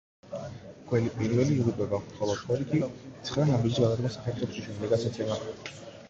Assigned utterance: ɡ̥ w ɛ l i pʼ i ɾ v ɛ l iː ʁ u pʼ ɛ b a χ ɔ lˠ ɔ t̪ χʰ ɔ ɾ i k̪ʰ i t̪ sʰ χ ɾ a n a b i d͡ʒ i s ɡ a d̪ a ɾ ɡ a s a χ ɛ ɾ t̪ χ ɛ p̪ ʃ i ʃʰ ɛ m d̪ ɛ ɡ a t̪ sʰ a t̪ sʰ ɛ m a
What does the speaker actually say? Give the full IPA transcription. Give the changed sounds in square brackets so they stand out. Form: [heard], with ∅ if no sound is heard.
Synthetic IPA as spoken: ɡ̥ w ɛ l i pʼ i ɾ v ɛ l iː ʁ u pʼ ɛ b a χ ɔ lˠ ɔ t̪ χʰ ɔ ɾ i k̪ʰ i t̪ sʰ χ ɾ a n a b i d͡ʒ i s ɡ a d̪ a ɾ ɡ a s a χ ɛ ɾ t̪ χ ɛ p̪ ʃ i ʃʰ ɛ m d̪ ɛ ɡ a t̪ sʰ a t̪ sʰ ɛ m a